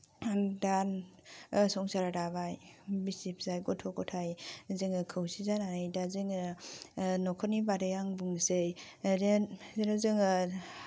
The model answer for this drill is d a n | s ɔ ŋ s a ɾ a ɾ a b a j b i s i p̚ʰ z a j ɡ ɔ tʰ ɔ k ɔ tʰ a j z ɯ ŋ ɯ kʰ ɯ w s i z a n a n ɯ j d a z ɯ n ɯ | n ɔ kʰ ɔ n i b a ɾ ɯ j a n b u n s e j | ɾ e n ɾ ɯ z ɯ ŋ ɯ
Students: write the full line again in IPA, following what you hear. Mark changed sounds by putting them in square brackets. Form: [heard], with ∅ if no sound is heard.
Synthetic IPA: d a n | s ɔ ŋ s a ɾ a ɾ a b a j b i s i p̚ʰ z a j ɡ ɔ tʰ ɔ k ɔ tʰ a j z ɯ ŋ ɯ kʰ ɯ w s i z a n a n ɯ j d a z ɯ [ŋ] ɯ | n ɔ kʰ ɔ n i b a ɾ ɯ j a [ŋ] b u [ŋ] s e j | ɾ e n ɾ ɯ z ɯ ŋ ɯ